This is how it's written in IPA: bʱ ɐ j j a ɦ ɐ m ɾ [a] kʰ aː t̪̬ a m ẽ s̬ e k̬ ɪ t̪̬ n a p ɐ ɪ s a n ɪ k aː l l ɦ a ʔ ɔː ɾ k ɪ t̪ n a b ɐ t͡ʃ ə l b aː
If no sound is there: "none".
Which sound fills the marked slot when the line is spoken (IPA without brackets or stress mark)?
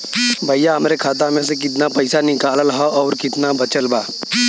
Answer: e